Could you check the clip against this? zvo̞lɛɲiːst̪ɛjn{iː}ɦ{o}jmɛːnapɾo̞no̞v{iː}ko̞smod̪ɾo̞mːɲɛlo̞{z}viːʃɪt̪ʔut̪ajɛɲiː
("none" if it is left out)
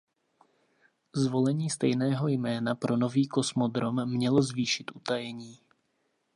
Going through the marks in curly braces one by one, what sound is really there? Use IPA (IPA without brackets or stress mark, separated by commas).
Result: ɛː, o, iː, z